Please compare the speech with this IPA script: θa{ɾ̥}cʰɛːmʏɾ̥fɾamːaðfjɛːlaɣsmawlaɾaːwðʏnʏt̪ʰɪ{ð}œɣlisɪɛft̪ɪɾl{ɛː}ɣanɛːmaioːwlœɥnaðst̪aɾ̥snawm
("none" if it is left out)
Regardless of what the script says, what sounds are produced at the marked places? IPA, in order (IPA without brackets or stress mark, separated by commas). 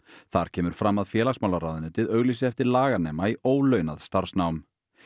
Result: ɾ̥, ð, aː